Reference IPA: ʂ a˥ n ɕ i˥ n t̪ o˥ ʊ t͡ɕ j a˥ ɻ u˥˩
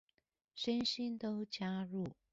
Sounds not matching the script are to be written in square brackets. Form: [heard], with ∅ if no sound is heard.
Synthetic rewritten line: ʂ [ə˥] n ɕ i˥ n t̪ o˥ ʊ t͡ɕ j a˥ ɻ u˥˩